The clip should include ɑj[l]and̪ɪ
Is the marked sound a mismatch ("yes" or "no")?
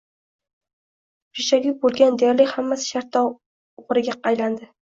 no